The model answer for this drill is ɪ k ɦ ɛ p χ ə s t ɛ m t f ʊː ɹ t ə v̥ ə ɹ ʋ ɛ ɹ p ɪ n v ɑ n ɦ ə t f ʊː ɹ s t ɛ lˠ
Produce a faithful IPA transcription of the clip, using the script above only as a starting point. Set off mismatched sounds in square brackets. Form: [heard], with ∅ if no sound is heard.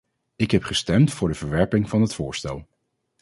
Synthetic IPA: ɪ k ɦ ɛ p χ ə s t ɛ m t f ʊː ɹ [d] ə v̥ ə ɹ ʋ ɛ ɹ p ɪ [ŋ] v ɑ n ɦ ə t f ʊː ɹ s t ɛ lˠ